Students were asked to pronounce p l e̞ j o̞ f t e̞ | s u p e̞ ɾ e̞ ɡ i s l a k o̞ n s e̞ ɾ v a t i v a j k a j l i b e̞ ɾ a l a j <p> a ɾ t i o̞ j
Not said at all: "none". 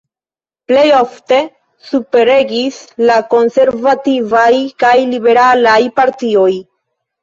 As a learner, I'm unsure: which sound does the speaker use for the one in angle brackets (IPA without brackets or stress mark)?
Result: p